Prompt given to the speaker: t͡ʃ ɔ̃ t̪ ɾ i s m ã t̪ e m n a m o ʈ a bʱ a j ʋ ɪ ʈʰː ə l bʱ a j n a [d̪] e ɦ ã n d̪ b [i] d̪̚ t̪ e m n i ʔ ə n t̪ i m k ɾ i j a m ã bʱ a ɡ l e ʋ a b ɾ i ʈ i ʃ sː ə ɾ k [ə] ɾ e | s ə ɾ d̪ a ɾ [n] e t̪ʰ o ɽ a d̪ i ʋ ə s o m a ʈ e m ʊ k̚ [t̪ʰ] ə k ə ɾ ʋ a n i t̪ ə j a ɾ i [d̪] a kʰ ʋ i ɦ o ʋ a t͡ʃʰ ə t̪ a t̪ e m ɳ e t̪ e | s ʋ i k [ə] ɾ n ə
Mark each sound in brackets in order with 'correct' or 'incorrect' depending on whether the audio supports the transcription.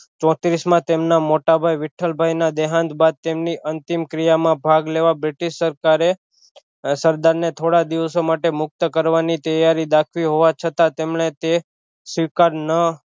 correct, incorrect, incorrect, correct, incorrect, correct, incorrect

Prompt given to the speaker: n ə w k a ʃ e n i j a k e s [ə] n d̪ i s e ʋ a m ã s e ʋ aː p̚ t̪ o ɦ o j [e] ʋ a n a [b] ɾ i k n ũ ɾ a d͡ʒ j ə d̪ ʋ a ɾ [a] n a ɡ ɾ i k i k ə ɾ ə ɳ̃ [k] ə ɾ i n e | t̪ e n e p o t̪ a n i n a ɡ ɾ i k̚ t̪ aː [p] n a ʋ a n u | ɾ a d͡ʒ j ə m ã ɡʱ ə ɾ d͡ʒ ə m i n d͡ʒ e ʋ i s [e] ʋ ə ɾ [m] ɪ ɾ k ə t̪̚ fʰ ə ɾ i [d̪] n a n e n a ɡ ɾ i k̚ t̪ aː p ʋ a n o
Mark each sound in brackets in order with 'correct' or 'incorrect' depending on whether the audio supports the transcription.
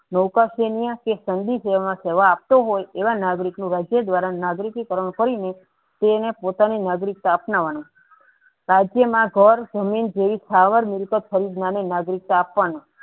correct, correct, incorrect, correct, correct, correct, incorrect, correct, correct

